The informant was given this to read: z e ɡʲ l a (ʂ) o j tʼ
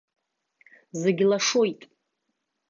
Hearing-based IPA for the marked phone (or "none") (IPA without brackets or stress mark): ʂ